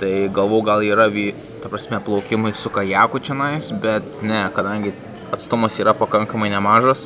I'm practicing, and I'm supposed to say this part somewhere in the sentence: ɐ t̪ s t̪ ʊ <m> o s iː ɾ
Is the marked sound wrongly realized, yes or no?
no